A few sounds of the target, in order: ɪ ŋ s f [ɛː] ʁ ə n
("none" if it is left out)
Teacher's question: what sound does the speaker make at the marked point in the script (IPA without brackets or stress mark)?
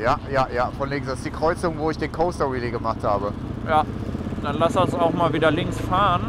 aː